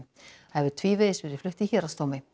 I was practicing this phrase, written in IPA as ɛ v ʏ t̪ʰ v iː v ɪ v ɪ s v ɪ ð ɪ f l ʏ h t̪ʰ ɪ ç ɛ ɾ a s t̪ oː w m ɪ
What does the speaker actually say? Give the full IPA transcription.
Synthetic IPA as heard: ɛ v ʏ t̪ʰ v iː v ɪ ð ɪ s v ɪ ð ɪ f l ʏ h t̪ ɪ ç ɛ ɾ a s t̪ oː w m ɪ